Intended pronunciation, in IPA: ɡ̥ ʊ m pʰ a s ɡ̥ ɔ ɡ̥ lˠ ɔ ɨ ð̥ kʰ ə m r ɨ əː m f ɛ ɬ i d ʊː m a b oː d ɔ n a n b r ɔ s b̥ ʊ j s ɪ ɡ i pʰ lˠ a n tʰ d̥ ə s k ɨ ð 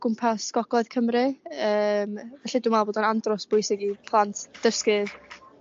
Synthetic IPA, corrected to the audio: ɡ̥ ʊ m pʰ a s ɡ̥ ɔ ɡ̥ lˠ ɔ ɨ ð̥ kʰ ə m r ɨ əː m v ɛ ɬ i d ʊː m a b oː d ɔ n a n d r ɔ s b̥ ʊ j s ɪ ɡ i pʰ lˠ a n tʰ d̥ ə s k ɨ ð